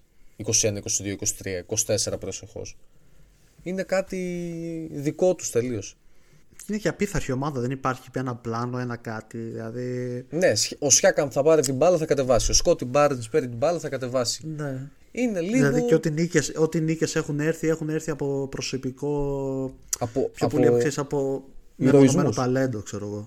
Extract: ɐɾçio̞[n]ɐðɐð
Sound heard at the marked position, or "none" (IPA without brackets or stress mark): m